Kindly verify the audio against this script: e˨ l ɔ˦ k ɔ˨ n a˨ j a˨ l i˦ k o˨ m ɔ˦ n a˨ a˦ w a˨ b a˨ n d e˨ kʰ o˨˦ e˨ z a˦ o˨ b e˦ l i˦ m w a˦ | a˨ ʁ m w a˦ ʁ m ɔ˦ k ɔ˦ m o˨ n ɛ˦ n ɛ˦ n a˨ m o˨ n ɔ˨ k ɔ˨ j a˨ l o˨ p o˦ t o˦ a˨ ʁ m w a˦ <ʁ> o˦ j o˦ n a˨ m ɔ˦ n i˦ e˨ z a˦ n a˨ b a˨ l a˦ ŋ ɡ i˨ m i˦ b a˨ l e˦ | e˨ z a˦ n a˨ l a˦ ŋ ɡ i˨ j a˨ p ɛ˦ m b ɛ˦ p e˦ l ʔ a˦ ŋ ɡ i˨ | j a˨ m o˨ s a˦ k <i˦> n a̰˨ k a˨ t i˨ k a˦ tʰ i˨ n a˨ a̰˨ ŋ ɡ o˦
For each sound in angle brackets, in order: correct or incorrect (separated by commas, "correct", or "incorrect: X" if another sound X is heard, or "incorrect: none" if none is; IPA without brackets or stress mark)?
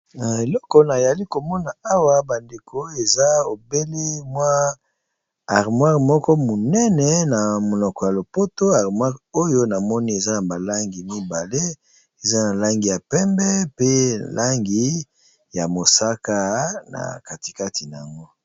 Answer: correct, incorrect: a˦